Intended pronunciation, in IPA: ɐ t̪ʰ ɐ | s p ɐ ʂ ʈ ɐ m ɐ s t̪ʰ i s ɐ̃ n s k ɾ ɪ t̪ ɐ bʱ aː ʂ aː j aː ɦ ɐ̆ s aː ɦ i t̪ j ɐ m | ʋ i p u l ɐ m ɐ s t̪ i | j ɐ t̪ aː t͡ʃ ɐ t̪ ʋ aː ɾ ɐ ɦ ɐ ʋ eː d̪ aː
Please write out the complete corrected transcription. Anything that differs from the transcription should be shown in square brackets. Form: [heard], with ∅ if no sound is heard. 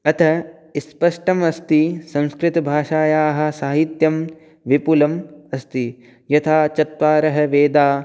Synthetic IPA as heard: ɐ t̪ʰ ɐ | s p ɐ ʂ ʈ ɐ m ɐ s [t̪] i s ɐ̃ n s k ɾ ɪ t̪ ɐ bʱ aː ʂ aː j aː ɦ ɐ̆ s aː ɦ i t̪ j ɐ m | ʋ i p u l ɐ m ɐ s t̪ i | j ɐ [t̪ʰ] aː t͡ʃ ɐ t̪ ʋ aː ɾ ɐ ɦ ɐ ʋ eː d̪ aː